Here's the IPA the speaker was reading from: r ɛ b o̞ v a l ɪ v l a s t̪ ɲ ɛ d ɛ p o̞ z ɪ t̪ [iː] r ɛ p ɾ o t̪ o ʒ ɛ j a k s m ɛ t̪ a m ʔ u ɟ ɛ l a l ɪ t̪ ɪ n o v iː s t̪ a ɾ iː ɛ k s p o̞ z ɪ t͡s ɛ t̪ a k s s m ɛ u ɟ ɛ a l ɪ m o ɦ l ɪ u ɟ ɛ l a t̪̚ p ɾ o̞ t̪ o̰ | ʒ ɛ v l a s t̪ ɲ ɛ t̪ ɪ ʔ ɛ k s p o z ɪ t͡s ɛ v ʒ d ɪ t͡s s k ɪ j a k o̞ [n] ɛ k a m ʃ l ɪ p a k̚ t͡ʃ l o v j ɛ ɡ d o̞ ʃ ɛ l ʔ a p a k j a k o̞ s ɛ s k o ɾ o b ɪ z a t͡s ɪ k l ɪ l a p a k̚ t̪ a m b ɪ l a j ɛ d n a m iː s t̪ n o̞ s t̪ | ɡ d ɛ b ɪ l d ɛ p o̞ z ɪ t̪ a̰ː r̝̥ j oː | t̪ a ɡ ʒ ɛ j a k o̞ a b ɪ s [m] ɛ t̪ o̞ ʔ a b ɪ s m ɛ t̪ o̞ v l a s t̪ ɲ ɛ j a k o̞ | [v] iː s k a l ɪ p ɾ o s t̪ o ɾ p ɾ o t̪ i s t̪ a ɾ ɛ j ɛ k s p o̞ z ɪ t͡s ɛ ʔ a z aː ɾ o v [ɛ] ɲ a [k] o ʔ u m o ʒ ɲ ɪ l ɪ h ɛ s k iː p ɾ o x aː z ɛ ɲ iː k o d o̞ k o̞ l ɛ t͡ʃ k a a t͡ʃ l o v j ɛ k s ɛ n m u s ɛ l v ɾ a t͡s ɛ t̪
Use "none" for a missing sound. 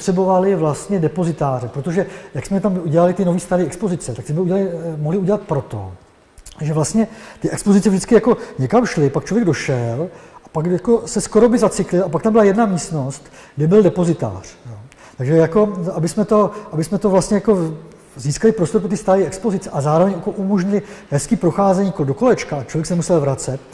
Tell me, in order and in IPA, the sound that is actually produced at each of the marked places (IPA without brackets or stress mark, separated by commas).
aː, ɲ, m, z, ɛ, k